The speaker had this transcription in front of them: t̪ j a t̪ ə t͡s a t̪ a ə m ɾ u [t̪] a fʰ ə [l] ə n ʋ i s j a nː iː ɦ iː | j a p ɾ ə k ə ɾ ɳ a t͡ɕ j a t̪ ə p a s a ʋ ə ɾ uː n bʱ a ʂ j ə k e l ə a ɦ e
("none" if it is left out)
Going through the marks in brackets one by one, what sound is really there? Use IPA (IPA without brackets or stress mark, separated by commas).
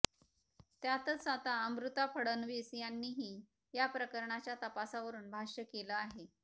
t̪, ɽ